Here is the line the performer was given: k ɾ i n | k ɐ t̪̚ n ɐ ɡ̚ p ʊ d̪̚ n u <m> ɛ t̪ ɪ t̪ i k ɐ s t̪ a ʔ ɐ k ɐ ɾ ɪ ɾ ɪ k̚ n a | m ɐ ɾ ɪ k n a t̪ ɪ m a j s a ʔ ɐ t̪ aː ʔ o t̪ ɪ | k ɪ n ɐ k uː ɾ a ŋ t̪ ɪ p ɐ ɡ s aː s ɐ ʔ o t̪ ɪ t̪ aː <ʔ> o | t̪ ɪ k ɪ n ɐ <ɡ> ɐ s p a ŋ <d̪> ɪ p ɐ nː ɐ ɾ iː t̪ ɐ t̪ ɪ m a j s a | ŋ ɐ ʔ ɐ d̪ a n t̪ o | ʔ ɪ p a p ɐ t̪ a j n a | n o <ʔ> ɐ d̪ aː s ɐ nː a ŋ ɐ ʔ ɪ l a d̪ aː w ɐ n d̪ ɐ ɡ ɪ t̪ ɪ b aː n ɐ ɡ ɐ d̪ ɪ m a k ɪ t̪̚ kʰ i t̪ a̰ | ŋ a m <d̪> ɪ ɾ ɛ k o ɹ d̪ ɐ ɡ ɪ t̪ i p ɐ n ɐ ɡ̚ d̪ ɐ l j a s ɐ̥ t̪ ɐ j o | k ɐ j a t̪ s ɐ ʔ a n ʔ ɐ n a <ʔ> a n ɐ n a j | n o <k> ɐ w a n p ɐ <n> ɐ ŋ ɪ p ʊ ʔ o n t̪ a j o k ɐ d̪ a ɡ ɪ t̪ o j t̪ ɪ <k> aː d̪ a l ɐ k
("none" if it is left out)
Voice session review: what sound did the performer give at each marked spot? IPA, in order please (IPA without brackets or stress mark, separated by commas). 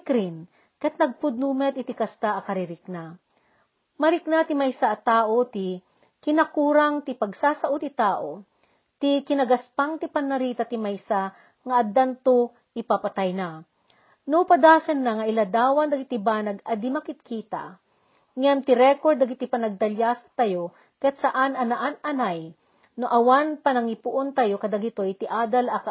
m, ʔ, ɡ, t̪, p, t̪, ʔ, ʔ, n, ʔ